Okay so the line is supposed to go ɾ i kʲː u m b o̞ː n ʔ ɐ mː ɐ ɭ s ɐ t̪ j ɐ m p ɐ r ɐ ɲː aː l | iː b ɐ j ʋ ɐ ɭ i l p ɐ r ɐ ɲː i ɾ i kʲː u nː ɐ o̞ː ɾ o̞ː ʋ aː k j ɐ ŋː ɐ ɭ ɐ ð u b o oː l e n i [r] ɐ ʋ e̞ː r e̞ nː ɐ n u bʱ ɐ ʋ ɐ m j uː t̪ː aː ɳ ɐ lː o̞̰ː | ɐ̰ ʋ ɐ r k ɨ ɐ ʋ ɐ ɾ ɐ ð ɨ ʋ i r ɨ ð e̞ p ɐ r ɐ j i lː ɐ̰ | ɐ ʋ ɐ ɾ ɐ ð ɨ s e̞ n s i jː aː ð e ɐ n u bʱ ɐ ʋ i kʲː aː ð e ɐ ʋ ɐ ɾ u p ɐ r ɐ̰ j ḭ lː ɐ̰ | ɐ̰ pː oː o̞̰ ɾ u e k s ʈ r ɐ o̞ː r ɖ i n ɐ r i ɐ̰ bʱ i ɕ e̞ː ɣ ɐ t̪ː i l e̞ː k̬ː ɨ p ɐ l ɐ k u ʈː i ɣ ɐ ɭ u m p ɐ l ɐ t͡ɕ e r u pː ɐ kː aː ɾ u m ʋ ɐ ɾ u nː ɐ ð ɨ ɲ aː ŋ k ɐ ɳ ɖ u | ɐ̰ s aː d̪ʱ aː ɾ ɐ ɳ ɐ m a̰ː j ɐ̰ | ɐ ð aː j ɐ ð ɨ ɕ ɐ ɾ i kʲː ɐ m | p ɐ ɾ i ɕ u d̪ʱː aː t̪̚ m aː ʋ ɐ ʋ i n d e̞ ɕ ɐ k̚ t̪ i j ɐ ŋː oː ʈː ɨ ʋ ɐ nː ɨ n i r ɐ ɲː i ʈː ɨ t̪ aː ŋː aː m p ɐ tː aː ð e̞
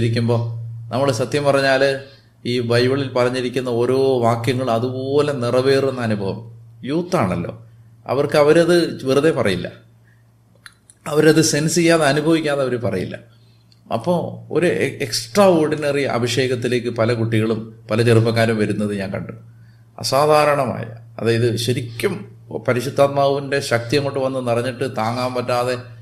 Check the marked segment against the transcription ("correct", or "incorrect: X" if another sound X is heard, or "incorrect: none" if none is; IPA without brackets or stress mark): correct